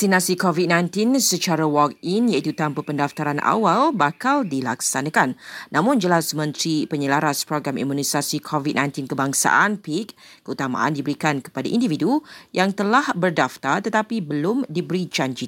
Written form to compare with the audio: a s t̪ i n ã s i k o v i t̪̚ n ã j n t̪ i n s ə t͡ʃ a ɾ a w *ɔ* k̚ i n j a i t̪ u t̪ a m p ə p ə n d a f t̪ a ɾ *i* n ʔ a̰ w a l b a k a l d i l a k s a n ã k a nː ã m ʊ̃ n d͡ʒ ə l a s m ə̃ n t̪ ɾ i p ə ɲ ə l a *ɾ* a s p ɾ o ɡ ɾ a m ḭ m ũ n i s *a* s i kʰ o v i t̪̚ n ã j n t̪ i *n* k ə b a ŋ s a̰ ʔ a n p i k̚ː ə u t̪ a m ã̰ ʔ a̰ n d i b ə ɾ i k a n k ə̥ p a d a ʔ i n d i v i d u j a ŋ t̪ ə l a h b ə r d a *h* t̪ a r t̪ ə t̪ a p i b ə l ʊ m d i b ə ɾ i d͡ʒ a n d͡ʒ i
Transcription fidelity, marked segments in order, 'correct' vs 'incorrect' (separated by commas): correct, incorrect, correct, correct, correct, incorrect